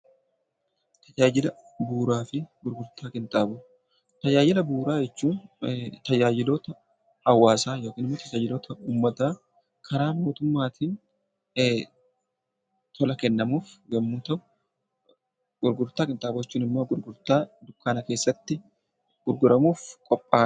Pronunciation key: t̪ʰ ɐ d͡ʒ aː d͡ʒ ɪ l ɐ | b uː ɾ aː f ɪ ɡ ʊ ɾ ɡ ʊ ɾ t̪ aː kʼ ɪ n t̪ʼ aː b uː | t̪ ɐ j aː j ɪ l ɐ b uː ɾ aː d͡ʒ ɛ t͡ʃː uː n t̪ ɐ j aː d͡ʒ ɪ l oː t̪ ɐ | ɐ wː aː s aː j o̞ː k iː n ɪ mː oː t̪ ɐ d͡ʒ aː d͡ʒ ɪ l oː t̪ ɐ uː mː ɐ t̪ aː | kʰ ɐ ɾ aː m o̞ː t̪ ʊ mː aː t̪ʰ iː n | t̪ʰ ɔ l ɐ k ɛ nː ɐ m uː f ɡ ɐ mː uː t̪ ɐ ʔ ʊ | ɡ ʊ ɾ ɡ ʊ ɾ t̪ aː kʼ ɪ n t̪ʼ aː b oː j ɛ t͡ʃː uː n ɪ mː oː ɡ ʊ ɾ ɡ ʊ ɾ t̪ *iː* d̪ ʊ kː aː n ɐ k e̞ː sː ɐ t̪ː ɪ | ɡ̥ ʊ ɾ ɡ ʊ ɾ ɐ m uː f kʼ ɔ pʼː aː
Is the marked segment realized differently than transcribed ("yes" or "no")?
yes